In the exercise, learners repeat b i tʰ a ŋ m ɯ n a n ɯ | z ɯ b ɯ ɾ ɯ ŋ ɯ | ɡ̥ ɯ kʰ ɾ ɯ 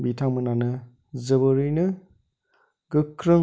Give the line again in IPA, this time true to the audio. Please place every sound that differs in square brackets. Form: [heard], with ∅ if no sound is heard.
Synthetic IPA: b i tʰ a ŋ m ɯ n a n ɯ | z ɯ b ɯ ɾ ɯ [n] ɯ | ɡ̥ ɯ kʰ ɾ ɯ